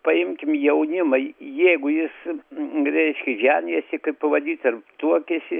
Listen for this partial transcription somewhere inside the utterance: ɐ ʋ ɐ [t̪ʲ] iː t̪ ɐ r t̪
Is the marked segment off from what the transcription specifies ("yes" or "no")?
yes